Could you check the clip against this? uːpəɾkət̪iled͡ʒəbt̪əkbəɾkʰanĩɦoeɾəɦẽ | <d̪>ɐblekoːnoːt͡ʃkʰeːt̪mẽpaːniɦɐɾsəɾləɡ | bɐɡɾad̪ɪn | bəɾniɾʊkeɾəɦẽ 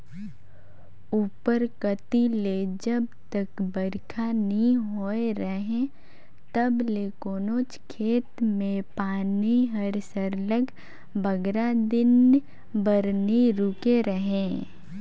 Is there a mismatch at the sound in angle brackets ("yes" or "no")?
yes